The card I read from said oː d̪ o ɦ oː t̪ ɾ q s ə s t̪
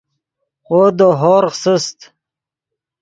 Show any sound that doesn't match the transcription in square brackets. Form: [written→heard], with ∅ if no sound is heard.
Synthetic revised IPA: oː d̪ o ɦ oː [t̪→∅] ɾ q s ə s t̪